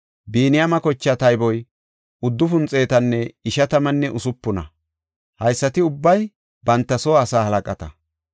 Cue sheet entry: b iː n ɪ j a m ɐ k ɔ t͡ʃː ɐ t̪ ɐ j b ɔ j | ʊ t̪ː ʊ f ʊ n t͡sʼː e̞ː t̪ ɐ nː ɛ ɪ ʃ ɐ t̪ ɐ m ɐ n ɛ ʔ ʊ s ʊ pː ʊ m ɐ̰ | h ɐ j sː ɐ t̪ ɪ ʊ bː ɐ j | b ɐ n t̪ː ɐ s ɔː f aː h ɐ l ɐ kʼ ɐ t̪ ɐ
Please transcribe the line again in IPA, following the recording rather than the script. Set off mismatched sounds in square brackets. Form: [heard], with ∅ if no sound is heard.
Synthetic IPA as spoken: b iː n ɪ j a m ɐ k ɔ t͡ʃː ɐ t̪ ɐ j b ɔ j | ʊ [d̪ː] ʊ f ʊ n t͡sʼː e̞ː t̪ ɐ nː ɛ ɪ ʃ ɐ t̪ ɐ m ɐ [nː] ɛ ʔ ʊ s ʊ pː ʊ [n] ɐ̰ | h ɐ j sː ɐ t̪ ɪ ʊ bː ɐ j | b ɐ n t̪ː ɐ s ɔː [s] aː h ɐ l ɐ kʼ ɐ t̪ ɐ